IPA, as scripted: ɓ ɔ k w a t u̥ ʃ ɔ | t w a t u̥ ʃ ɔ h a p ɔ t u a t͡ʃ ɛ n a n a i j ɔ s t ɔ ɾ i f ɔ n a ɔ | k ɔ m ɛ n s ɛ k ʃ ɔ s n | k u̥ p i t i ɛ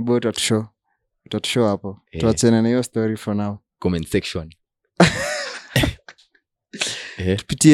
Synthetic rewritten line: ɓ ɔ t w a t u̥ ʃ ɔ | t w a t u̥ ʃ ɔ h a p ɔ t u a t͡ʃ ɛ n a n a i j ɔ s t ɔ ɾ i f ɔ n a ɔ | k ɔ m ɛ n s ɛ k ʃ ɔ n | t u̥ p i t i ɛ